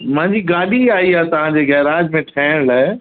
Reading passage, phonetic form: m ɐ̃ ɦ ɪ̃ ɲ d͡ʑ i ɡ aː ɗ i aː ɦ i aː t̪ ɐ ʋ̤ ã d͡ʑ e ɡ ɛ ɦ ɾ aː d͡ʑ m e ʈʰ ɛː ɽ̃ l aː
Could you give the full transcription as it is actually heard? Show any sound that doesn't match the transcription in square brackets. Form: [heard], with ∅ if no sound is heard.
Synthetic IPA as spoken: m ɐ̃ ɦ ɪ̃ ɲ d͡ʑ i ɡ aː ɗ i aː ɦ i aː t̪ ɐ ʋ̤ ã d͡ʑ e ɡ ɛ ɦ ɾ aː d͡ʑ m [ẽ] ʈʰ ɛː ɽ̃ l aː